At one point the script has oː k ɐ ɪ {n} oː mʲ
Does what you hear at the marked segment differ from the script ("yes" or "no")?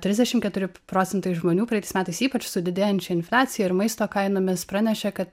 no